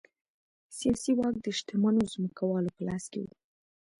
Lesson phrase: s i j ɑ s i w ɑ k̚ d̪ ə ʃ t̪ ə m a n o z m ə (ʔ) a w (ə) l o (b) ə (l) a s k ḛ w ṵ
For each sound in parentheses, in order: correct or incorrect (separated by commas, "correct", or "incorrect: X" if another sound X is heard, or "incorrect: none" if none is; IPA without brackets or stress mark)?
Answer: incorrect: k, incorrect: ɑ, incorrect: p, correct